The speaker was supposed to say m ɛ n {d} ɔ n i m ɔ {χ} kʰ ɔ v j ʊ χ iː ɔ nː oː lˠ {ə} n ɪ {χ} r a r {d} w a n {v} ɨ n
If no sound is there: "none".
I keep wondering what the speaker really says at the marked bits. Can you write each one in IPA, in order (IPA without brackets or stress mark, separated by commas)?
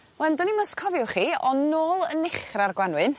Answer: d, s, ə, χ, ɡ, w